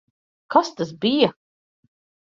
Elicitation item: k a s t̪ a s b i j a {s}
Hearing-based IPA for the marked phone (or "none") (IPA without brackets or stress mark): none